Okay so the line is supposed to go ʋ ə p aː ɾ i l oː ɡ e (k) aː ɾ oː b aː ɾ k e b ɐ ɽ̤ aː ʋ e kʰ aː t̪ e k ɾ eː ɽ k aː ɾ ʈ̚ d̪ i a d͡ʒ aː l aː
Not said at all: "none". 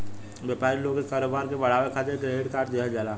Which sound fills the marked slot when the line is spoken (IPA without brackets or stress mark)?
k